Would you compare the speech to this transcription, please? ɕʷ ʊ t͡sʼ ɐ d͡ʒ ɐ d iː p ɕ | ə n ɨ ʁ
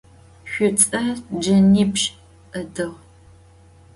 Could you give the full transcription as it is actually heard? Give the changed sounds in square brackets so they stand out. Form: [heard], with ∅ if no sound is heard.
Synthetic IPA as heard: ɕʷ ʊ t͡sʼ ɐ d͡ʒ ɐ [n] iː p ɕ | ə [d] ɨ ʁ